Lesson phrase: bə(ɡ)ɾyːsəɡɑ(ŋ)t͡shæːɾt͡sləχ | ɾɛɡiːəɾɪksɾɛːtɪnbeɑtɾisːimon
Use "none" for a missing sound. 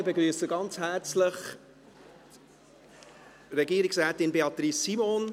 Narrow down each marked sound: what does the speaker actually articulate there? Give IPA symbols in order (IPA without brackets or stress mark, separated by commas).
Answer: ɡ, n